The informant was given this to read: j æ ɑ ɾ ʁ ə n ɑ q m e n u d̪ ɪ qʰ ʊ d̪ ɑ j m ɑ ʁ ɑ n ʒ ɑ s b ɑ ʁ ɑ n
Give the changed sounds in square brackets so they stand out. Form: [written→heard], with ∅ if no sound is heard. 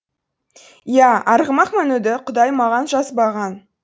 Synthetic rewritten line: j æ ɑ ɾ ʁ ə [n→m] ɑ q m [e→æ] n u d̪ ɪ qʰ ʊ d̪ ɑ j m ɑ ʁ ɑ n ʒ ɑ s b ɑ ʁ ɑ n

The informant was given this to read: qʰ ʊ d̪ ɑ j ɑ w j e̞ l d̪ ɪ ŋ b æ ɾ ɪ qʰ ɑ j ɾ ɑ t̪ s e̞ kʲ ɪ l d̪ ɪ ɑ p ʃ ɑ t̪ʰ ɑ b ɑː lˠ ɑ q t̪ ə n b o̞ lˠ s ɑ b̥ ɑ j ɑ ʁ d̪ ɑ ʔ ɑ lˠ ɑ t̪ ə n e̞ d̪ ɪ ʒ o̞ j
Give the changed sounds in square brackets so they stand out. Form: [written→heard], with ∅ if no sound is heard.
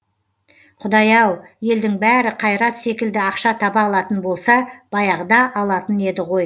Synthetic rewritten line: qʰ ʊ d̪ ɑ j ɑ w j e̞ l d̪ ɪ ŋ b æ ɾ ɪ qʰ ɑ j ɾ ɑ t̪ s e̞ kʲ ɪ l d̪ ɪ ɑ [p→q] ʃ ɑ t̪ʰ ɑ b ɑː lˠ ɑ [q→∅] t̪ ə n b o̞ lˠ s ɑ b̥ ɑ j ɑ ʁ d̪ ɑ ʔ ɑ lˠ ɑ t̪ ə n e̞ d̪ ɪ [ʒ→ʁ] o̞ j

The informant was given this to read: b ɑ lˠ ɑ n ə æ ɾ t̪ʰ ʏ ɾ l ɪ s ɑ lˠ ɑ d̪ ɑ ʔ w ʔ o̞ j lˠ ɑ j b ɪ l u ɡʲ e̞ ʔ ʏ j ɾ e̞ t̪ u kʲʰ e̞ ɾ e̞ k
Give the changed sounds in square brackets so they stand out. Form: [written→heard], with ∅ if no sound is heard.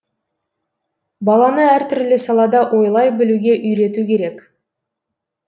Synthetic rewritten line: b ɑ lˠ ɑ n ə æ ɾ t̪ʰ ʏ ɾ l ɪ s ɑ lˠ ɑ d̪ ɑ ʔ w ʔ o̞ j lˠ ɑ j b ɪ l u ɡʲ e̞ ʔ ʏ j ɾ e̞ t̪ u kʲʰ e̞ ɾ e̞ k

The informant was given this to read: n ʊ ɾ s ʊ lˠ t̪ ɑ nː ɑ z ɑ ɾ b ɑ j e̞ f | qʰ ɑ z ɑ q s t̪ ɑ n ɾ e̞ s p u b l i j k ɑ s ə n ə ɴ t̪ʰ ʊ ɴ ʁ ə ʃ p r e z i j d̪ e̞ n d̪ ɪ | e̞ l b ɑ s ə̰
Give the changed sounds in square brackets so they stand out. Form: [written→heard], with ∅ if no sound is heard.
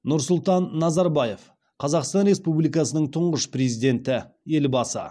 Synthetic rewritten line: n ʊ ɾ s ʊ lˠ t̪ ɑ nː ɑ z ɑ ɾ b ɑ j e̞ f | qʰ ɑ z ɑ q s t̪ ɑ n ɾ e̞ s p u b l i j k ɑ s ə n ə ɴ t̪ʰ ʊ ɴ ʁ ə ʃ p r e z i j d̪ e̞ n [d̪→t̪] ɪ | e̞ l b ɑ s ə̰

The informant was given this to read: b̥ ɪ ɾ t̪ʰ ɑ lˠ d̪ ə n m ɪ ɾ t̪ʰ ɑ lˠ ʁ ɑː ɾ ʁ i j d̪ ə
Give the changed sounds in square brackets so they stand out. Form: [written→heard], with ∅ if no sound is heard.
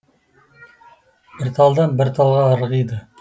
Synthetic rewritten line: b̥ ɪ ɾ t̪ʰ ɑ lˠ d̪ [ə→ɑ] n [m→b] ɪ ɾ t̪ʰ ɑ lˠ ʁ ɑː ɾ ʁ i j d̪ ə

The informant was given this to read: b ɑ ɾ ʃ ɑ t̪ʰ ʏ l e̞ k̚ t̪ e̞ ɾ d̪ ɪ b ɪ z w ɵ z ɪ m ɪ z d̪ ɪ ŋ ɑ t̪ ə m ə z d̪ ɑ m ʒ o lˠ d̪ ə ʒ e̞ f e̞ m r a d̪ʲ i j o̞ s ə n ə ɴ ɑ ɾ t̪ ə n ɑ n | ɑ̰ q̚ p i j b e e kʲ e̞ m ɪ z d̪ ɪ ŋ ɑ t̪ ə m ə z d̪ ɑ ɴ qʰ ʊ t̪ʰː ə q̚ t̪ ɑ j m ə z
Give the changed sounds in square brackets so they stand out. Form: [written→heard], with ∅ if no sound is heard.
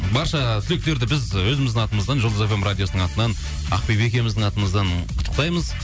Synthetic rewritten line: b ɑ ɾ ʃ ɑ t̪ʰ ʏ l e̞ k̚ t̪ e̞ ɾ d̪ ɪ b ɪ z w ɵ z ɪ m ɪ z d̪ ɪ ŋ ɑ t̪ ə m ə z d̪ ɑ [m→n] ʒ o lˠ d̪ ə [ʒ→z] e̞ f e̞ m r a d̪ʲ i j o̞ s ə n ə ɴ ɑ [ɾ→∅] t̪ ə n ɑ n | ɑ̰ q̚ p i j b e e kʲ e̞ m ɪ z d̪ ɪ ŋ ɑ t̪ ə m ə z d̪ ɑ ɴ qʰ ʊ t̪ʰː ə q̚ t̪ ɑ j m ə z

